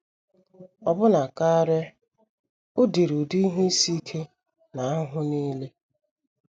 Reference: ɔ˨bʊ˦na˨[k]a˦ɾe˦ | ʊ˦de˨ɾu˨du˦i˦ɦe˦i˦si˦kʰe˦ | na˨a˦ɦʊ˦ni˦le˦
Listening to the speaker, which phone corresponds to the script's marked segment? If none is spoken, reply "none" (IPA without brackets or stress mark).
k